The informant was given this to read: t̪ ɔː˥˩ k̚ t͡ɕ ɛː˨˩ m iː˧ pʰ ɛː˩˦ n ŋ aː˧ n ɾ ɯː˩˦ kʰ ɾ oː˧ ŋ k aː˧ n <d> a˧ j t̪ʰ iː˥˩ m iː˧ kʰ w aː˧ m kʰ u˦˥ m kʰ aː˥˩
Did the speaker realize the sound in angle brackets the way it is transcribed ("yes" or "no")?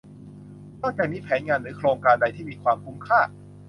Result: yes